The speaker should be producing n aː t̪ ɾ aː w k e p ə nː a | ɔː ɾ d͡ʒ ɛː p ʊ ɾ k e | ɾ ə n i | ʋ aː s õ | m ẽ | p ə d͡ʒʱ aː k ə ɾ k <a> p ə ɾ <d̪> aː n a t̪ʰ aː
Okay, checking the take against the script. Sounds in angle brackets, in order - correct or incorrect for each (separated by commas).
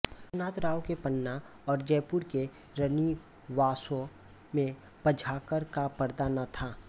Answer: correct, correct